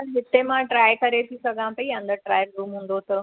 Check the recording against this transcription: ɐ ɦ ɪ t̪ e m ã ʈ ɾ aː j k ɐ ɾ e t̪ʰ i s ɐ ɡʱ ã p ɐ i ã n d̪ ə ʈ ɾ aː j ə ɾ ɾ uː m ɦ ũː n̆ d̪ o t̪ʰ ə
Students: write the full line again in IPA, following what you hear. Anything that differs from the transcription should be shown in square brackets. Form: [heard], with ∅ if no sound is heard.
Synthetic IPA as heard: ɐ ɦ ɪ t̪ e m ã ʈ ɾ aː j k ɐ ɾ e t̪ʰ i s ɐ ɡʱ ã p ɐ i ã n d̪ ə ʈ ɾ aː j ə ɾ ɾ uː m ɦ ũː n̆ d̪ o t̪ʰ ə